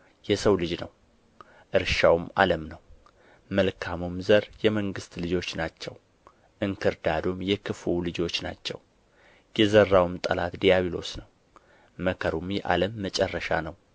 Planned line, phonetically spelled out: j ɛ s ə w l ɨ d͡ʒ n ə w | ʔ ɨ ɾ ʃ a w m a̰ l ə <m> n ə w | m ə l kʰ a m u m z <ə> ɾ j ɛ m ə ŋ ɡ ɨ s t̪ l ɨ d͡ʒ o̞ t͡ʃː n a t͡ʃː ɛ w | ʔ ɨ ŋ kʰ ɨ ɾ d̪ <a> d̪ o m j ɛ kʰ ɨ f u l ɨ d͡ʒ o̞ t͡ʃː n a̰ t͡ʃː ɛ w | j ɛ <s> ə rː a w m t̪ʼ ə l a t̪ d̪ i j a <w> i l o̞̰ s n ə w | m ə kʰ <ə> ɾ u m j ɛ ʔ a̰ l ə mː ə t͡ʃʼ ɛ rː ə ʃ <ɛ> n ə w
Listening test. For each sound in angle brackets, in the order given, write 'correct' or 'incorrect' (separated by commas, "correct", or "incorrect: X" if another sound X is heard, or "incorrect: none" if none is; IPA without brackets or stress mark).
correct, correct, correct, incorrect: z, incorrect: β, correct, incorrect: a